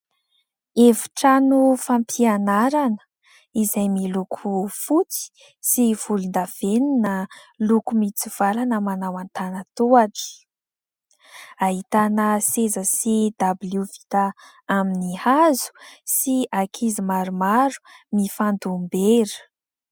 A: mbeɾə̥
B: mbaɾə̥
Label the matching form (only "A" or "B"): A